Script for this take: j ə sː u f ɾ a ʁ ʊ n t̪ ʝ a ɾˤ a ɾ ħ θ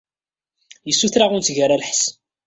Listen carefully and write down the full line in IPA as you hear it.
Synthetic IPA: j ə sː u θ ɾ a ʁ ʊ n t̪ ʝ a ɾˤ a l ħ s